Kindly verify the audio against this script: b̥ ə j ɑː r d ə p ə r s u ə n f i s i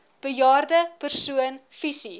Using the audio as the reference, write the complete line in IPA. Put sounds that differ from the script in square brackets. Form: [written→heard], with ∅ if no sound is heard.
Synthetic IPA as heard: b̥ ə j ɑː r d ə p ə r s u ə n f i s i